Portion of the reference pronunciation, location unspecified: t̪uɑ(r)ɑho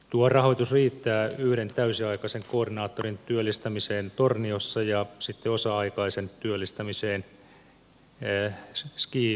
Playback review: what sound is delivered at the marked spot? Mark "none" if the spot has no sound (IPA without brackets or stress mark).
r